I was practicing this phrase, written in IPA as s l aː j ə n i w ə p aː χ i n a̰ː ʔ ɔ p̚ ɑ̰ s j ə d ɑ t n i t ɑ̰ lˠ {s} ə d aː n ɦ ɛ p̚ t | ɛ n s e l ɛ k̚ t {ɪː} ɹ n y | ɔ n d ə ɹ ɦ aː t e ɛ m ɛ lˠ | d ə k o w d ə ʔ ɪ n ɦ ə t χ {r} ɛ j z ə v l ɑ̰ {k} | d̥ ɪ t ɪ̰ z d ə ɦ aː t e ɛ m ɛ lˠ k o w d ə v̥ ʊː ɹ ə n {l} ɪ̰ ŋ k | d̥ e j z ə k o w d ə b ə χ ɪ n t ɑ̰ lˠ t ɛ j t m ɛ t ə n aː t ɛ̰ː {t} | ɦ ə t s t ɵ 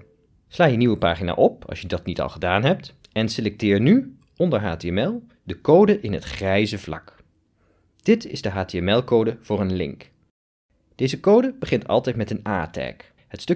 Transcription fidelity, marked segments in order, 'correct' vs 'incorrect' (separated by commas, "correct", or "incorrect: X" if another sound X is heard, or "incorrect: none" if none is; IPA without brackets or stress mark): incorrect: χ, correct, correct, correct, correct, incorrect: k